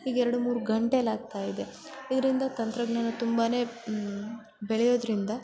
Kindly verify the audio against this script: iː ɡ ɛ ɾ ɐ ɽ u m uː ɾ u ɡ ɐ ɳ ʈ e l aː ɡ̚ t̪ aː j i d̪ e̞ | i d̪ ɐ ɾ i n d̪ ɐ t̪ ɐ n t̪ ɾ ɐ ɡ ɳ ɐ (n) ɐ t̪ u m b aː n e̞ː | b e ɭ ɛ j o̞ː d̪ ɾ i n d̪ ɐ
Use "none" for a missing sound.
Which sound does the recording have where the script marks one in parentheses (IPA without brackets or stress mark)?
n